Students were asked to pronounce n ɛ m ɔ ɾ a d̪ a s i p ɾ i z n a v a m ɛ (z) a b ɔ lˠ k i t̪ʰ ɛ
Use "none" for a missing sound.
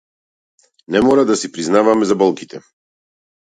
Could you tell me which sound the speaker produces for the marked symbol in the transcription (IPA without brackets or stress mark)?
z